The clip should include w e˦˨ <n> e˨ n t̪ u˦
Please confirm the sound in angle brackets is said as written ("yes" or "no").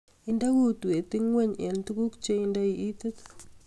no